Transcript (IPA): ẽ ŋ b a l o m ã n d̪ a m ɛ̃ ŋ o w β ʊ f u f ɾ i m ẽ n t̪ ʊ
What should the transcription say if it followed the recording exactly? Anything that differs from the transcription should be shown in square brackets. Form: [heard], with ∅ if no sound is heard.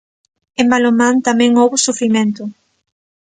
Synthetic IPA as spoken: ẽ [m] b a l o m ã n [t̪] a m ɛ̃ ŋ o w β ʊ [s] u f ɾ i m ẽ n t̪ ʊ